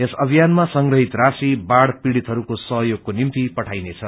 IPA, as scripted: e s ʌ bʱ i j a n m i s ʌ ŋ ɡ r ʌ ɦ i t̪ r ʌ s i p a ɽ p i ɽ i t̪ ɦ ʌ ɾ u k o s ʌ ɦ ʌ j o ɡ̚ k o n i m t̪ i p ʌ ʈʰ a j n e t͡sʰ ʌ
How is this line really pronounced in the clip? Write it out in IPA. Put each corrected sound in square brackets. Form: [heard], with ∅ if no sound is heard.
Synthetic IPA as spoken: e s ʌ bʱ i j a n m [a] s ʌ ŋ ɡ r ʌ ɦ i t̪ r [a] s i [b] a ɽ p i ɽ i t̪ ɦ ʌ ɾ u k o s ʌ ɦ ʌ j o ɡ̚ k o n i m t̪ i p ʌ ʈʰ a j n e t͡sʰ ʌ